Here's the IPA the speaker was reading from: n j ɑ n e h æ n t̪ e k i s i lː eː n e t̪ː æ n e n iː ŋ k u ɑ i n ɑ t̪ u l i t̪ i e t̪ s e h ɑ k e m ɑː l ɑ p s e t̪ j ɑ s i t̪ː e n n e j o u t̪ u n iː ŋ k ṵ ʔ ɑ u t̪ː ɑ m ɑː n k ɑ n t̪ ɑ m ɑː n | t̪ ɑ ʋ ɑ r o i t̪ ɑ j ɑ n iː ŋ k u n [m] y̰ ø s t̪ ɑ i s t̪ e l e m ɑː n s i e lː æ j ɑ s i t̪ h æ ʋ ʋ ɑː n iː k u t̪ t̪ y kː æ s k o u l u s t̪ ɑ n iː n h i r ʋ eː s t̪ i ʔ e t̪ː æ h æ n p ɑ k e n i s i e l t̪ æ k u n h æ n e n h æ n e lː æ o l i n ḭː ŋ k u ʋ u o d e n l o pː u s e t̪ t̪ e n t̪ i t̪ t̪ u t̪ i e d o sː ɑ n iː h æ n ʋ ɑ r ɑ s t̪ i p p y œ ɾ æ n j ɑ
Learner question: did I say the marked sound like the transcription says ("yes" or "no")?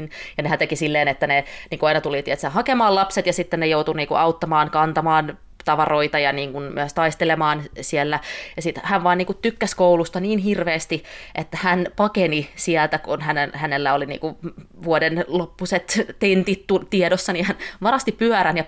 yes